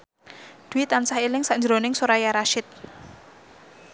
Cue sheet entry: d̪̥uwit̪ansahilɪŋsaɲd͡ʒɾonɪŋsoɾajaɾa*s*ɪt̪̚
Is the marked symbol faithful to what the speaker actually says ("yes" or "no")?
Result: no